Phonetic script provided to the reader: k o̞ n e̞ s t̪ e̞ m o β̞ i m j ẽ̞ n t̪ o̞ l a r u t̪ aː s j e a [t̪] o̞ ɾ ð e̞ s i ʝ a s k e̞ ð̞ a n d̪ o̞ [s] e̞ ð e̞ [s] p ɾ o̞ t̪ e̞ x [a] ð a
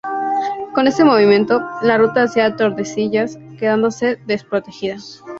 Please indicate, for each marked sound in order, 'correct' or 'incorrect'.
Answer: correct, correct, correct, incorrect

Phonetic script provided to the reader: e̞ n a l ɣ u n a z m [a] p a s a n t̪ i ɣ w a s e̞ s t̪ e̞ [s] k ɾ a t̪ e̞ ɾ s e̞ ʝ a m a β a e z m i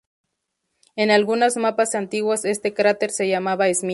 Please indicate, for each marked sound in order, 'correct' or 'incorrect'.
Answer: correct, incorrect

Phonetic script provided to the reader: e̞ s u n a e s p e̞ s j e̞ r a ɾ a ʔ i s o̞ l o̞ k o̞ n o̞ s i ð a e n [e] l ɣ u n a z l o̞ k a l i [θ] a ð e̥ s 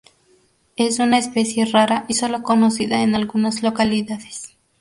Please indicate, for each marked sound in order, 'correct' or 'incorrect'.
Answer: incorrect, incorrect

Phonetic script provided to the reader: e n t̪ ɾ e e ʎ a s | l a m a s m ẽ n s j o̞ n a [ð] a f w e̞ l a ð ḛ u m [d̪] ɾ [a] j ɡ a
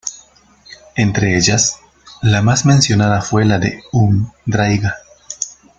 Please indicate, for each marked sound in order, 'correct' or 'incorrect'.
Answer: correct, correct, correct

